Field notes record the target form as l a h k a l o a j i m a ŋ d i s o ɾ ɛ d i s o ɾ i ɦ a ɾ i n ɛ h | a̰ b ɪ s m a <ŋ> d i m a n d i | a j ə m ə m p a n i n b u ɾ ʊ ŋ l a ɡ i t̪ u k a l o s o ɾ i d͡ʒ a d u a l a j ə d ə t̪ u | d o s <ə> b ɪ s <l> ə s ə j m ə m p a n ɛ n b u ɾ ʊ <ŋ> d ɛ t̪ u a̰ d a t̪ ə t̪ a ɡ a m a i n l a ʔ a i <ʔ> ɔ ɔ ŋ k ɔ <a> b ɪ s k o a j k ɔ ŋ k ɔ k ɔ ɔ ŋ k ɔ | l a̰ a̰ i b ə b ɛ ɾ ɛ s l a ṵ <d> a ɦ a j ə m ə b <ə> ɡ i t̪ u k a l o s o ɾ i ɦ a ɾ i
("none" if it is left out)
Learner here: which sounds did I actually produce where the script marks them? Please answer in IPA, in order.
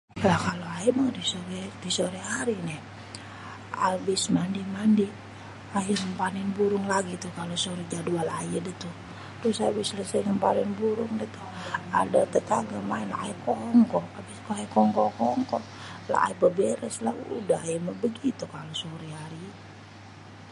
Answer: n, a, l, ŋ, k, a, d, ə

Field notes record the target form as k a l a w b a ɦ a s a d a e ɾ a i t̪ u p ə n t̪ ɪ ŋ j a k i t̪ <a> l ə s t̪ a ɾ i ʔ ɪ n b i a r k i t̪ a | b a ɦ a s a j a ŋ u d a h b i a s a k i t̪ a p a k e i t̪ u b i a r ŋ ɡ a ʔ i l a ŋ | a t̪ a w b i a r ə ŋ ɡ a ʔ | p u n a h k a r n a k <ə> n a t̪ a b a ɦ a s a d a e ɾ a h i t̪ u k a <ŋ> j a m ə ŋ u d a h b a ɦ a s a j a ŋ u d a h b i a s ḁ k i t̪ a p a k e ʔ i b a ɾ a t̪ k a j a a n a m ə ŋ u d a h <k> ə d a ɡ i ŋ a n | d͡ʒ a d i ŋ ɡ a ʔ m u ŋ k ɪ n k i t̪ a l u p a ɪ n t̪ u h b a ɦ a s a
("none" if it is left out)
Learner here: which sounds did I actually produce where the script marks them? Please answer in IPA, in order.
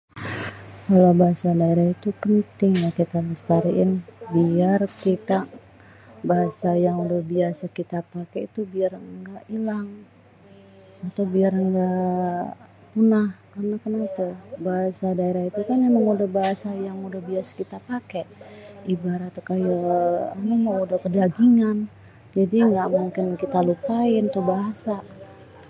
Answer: a, ə, n, k

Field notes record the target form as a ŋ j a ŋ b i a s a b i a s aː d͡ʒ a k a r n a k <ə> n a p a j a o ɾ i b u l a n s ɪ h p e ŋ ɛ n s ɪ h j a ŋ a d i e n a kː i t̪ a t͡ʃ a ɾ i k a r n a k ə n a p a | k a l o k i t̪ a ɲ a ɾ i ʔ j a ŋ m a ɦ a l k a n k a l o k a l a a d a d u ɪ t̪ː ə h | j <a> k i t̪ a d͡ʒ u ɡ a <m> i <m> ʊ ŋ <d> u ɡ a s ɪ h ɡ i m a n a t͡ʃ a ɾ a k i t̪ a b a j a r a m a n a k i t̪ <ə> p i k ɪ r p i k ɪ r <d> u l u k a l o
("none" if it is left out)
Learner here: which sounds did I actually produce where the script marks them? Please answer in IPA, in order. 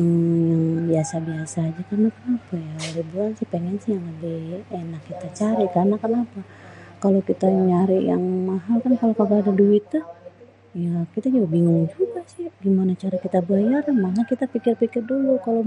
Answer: ə, a, b, ŋ, d͡ʒ, a, d

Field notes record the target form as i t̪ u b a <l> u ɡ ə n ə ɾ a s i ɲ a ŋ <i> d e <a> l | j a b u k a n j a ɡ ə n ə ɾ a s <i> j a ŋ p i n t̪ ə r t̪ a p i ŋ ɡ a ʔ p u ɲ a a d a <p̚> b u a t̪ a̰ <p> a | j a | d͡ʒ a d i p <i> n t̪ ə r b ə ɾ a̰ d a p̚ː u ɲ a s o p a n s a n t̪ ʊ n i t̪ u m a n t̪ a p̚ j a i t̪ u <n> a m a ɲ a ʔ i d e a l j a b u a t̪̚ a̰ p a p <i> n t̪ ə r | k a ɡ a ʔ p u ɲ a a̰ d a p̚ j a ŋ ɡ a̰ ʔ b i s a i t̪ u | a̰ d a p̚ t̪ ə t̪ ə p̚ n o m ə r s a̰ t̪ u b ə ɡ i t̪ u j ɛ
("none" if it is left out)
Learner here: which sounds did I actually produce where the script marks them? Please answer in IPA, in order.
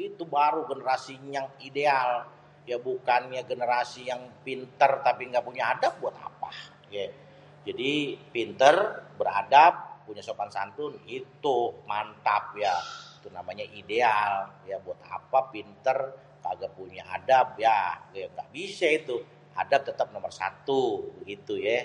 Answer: ɾ, i, a, i, p̚, p, i, n, i

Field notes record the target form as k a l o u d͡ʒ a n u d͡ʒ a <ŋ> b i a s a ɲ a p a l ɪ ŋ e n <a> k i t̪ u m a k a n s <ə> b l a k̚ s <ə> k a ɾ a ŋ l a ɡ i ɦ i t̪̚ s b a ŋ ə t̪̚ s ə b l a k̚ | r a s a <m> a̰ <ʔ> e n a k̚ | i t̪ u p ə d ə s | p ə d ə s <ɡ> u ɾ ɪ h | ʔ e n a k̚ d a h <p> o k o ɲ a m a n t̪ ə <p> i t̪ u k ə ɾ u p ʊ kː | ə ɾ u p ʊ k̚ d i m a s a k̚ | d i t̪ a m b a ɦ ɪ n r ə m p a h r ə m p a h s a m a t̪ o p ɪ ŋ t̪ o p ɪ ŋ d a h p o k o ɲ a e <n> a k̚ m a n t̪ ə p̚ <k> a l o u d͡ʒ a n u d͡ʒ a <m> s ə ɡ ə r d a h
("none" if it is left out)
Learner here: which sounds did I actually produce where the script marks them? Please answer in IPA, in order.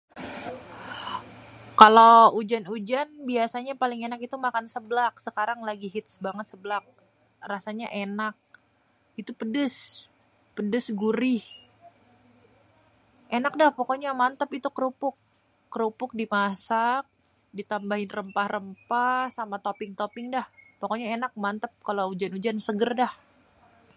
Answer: n, a, ə, ə, ɲ, ʔ, ɡ, p, p, n, k, n

